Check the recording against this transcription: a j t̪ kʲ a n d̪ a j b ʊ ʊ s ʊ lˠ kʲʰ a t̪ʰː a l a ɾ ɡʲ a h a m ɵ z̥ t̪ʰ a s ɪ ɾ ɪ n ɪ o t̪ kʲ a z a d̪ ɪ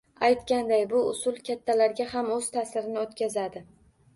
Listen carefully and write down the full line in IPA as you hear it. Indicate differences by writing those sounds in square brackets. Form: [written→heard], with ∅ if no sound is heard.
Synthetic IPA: a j t̪ kʲ a n d̪ a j b ʊ ʊ s ʊ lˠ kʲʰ a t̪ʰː a l a ɾ ɡʲ a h a m ɵ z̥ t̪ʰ a s ɪ ɾ ɪ n ɪ o t̪ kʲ a z a d̪ ɪ